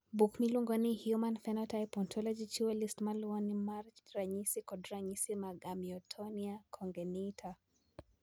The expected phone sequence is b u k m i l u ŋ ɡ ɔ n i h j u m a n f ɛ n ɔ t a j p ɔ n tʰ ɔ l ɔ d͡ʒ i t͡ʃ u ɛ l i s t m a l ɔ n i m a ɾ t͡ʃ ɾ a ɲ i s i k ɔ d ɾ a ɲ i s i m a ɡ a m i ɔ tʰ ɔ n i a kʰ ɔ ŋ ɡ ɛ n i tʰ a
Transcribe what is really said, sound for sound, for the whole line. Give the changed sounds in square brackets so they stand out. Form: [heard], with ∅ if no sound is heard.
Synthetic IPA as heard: b u k m i l u ŋ ɡ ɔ n i h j u m a n f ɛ n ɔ t a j p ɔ n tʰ ɔ l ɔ d͡ʒ i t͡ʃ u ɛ l i s t m a l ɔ n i m a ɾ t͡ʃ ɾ a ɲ i s i k ɔ d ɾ a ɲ i s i m a ɡ a m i ɔ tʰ ɔ n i a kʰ ɔ ŋ ɡ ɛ n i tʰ a